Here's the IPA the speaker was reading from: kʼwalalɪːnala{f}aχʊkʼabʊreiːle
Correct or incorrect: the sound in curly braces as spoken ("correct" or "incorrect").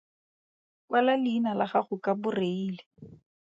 incorrect